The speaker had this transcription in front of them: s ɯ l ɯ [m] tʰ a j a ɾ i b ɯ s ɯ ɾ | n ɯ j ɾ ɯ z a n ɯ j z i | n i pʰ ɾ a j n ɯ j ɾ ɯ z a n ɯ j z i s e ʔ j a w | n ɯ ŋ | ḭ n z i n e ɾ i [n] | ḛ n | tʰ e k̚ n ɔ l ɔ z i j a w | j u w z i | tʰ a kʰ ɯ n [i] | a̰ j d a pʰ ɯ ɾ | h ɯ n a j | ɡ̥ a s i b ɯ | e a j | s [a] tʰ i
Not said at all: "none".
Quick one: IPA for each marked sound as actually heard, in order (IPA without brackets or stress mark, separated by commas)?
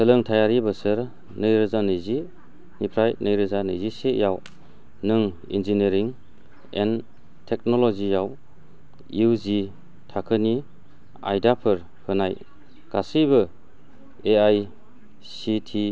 ŋ, ŋ, i, i